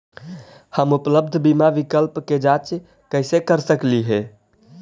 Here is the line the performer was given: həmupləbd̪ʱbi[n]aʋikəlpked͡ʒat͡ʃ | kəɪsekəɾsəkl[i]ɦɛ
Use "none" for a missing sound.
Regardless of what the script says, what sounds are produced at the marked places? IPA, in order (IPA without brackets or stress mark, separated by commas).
m, i